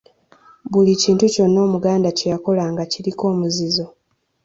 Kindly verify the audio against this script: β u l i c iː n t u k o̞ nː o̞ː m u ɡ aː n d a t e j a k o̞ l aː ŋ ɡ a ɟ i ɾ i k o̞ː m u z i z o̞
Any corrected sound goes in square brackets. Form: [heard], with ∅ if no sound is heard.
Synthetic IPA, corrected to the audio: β u l i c iː n t u [c] o̞ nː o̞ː m u ɡ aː n d a [c] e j a k o̞ l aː ŋ ɡ a [c] i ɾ i k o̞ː m u z i z o̞